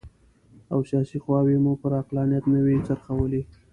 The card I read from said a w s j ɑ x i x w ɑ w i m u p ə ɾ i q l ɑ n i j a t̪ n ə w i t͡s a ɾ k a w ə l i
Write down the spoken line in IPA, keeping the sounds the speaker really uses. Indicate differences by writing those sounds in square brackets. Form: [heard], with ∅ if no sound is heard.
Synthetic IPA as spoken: a w s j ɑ [s] i x w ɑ w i m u p ə ɾ [a] q l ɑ n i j a t̪ n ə w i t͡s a ɾ [x] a w ə l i